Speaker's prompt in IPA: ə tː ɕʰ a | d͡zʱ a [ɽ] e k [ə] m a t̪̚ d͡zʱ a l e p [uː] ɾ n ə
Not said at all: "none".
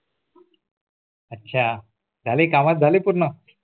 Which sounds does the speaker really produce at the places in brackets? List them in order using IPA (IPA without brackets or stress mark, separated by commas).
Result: l, a, u